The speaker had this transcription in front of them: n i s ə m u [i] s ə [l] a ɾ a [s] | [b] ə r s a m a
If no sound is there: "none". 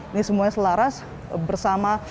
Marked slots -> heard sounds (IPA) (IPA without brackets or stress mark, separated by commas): a, l, s, b